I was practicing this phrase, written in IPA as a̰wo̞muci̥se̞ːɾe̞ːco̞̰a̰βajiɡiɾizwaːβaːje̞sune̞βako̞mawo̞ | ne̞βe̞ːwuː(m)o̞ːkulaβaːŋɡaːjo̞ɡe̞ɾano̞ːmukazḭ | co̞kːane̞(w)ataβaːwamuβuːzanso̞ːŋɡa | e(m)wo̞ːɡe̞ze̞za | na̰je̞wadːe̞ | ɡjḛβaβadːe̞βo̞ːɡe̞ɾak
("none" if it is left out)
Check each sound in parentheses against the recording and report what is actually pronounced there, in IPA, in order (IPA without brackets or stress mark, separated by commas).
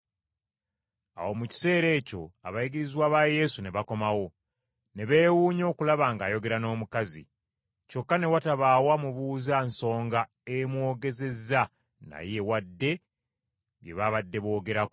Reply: ɲ, w, m